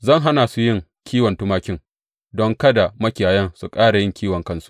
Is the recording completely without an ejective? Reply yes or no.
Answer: no